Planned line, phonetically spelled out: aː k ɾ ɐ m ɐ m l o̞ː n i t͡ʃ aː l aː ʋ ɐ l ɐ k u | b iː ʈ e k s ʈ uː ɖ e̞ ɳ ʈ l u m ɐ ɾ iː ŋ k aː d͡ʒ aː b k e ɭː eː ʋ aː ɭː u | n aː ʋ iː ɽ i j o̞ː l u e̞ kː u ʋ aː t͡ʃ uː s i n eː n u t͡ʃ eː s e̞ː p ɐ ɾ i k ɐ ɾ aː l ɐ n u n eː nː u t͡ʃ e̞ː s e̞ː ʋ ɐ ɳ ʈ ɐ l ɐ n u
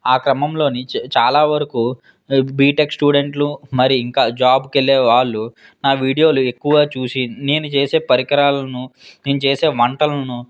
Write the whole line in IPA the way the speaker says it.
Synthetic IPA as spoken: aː k ɾ ɐ m ɐ m l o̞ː n i t͡ʃ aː l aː ʋ ɐ ɾ ɐ k u | b iː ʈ e k s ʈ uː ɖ e̞ ɳ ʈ l u m ɐ ɾ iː ŋ k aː d͡ʒ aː b k e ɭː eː ʋ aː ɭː u | n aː ʋ iː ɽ i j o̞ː l u e̞ kː u ʋ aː t͡ʃ uː s i n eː n u t͡ʃ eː s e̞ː p ɐ ɾ i k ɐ ɾ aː l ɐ n u n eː n u t͡ʃ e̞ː s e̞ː ʋ ɐ ɳ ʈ ɐ l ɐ n u

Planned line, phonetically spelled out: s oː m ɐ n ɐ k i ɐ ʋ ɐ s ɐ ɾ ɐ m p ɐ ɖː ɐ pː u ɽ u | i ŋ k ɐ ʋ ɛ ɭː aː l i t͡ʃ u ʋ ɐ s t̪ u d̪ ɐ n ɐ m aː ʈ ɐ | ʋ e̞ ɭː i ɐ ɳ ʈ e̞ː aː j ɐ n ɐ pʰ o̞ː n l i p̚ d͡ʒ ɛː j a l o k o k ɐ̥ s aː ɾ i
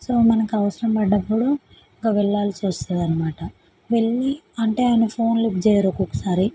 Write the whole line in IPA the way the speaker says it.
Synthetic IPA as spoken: s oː m ɐ n ɐ k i ɐ ʋ ɐ s ɐ ɾ ɐ m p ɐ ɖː ɐ pː u ɽ u | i ŋ k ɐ ʋ ɛ ɭː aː l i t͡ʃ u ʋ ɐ s t̪ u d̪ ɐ n ɐ m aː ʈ ɐ | ʋ e̞ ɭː i ɐ ɳ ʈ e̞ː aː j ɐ n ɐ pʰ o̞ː n l i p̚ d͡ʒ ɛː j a ɾ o k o k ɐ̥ s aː ɾ i

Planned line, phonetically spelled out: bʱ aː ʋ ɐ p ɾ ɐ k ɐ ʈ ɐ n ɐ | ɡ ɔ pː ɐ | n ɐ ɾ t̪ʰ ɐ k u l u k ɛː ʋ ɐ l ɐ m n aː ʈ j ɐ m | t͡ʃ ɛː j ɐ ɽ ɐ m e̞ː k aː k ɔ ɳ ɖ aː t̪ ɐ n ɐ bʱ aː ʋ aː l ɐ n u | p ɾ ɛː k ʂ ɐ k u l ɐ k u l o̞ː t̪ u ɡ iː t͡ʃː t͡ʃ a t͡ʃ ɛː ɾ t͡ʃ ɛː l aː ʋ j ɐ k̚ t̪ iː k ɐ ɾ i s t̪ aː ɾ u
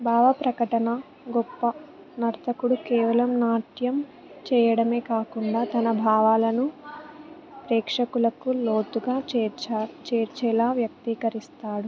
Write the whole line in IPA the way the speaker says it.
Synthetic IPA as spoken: bʱ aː ʋ ɐ p ɾ ɐ k ɐ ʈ ɐ n ɐ | ɡ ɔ pː ɐ | n ɐ ɾ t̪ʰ ɐ k u ɽ u k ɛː ʋ ɐ l ɐ m n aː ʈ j ɐ m | t͡ʃ ɛː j ɐ ɽ ɐ m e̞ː k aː k u ɳ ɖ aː t̪ ɐ n ɐ bʱ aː ʋ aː l ɐ n u | p ɾ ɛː k ʂ ɐ k u l ɐ k u l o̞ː t̪ u ɡ aː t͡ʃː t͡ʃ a t͡ʃ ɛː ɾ t͡ʃ ɛː l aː ʋ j ɐ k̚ t̪ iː k ɐ ɾ i s t̪ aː ɽ u

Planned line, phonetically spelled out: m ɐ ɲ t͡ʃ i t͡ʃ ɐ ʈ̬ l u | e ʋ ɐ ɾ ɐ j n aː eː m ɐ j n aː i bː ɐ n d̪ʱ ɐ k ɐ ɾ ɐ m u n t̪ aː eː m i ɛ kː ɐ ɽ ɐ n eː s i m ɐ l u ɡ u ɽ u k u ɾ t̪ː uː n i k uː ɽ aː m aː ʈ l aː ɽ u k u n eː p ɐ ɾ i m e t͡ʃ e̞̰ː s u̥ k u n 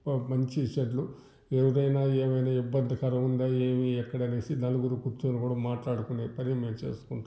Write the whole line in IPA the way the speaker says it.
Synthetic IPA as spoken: m ɐ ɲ t͡ʃ i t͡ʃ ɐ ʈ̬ l u | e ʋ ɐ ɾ ɐ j n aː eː m ɐ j n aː i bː ɐ n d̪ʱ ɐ k ɐ ɾ ɐ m u n d̪ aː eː m i ɛ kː ɐ ɽ ɐ n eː s i n ɐ l u ɡ u ɾ u k u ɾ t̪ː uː n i k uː ɽ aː m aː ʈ l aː ɽ u k u n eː p ɐ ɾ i m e t͡ʃ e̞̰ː s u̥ k u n

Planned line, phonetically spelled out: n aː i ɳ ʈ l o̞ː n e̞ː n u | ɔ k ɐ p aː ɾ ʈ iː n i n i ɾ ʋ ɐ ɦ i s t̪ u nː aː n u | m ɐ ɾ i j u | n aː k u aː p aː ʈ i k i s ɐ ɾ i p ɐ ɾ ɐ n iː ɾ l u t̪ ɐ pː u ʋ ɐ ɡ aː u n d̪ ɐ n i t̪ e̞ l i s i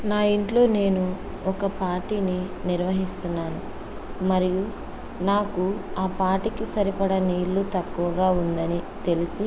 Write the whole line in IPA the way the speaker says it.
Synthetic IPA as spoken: n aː i ɳ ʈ l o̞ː n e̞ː n u | ɔ k ɐ p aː ɾ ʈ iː n i n i ɾ ʋ ɐ ɦ i s t̪ u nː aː n u | m ɐ ɾ i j u | n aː k u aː p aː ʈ i k i s ɐ ɾ i p ɐ ɽ ɐ n iː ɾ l u t̪ ɐ kː u ʋ ɐ ɡ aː u n d̪ ɐ n i t̪ e̞ l i s i

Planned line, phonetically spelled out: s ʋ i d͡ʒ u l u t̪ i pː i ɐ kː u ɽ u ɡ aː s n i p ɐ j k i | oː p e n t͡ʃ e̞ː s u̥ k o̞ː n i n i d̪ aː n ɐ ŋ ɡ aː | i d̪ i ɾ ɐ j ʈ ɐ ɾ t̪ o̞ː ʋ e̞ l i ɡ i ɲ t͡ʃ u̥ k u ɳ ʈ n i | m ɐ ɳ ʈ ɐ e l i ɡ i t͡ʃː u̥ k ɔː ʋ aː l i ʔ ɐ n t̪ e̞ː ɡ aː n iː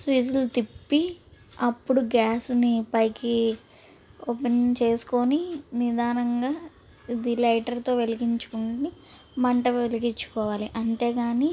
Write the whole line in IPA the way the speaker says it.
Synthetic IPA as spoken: s ʋ i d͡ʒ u l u t̪ i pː i ɐ pː u ɽ u ɡ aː s n i p ɐ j k i | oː p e n t͡ʃ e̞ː s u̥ k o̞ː n i n i d̪ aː n ɐ ŋ ɡ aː | i d̪ i l ɐ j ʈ ɐ ɾ t̪ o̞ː ʋ e̞ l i ɡ i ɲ t͡ʃ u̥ k u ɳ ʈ n i | m ɐ ɳ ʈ ɐ e l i ɡ i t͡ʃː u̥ k ɔː ʋ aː l i ʔ ɐ n t̪ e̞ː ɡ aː n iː

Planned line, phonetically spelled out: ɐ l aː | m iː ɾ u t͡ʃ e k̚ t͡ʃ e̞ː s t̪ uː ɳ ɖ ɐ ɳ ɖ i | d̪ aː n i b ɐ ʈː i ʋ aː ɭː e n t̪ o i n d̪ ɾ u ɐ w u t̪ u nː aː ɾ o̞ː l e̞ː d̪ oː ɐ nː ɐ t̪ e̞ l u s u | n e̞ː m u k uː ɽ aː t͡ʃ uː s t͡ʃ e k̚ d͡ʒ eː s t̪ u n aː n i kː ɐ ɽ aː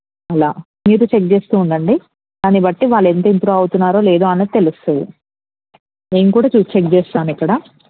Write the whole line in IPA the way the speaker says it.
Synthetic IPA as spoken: ɐ l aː | m iː ɾ u t͡ʃ e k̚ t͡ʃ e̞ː s t̪ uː ɳ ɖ ɐ ɳ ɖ i | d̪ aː n i b ɐ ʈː i ʋ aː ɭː e n t̪ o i n t̪ ɾ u ɐ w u t̪ u nː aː ɾ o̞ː l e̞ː d̪ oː ɐ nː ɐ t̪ e̞ l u s u | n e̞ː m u k uː ɽ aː t͡ʃ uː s t͡ʃ e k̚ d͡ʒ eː s t̪ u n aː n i kː ɐ ɽ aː

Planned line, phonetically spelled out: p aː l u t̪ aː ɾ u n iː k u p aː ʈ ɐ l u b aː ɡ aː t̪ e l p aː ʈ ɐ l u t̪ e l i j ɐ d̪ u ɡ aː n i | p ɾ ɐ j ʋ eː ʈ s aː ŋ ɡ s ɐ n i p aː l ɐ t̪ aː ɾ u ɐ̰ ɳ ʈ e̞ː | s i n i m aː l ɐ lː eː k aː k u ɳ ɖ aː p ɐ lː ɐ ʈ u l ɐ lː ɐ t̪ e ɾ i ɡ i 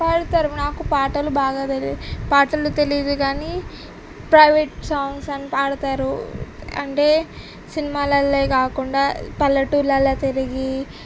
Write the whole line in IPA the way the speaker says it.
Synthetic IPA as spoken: p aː ɽ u t̪ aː ɾ u n aː k u p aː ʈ ɐ l u b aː ɡ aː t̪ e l p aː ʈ ɐ l u t̪ e l i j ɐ d̪ u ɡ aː n i | p ɾ ɐ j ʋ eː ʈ s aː ŋ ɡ s ɐ n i p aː ɽ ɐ t̪ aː ɾ u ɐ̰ ɳ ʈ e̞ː | s i n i m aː l ɐ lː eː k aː k u ɳ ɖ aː p ɐ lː ɐ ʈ u l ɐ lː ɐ t̪ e ɾ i ɡ i

